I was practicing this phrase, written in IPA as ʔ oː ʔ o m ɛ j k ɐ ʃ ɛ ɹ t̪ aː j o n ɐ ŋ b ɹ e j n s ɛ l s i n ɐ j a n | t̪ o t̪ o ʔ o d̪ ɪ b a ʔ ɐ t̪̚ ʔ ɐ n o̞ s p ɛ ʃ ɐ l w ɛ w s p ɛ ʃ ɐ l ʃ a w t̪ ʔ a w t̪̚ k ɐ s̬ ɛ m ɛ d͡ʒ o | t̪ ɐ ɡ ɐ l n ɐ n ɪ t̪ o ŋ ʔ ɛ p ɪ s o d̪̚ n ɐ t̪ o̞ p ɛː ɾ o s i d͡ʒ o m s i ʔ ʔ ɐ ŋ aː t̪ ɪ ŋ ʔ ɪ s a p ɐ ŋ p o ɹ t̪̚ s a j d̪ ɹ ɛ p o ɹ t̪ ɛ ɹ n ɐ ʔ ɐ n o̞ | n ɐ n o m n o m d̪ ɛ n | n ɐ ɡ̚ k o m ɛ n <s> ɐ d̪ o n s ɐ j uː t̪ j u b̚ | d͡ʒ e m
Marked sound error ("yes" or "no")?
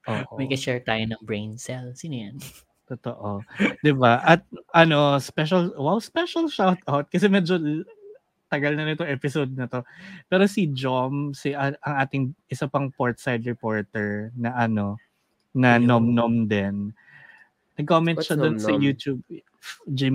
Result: yes